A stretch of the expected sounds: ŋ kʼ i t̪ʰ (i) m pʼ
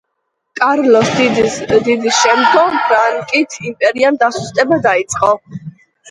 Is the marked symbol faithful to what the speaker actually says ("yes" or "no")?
yes